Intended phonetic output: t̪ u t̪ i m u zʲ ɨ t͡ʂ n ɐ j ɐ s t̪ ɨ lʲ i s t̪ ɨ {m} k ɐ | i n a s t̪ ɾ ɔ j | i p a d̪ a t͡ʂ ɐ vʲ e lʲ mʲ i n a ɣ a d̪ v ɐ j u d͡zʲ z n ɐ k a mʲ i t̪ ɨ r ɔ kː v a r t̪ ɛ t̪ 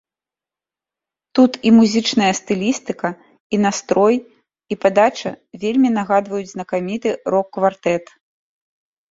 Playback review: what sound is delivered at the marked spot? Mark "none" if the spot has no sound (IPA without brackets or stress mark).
none